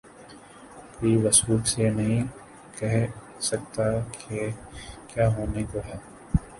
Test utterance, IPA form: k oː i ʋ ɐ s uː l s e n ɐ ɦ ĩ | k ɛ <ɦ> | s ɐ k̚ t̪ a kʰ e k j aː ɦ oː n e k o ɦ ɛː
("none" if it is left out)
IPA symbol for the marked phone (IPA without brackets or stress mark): ɦ